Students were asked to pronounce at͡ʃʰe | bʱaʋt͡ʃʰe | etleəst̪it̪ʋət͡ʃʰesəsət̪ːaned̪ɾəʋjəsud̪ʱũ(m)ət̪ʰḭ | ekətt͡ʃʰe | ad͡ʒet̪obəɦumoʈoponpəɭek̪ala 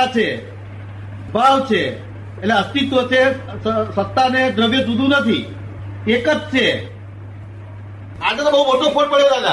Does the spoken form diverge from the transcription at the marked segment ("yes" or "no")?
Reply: yes